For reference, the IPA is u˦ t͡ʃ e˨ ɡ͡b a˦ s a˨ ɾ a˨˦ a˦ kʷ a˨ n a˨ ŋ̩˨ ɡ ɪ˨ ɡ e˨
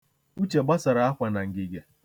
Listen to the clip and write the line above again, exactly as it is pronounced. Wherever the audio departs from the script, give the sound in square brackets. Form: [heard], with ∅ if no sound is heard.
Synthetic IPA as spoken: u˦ t͡ʃ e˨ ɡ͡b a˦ s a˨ ɾ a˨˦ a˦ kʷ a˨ n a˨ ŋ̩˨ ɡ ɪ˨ ɡ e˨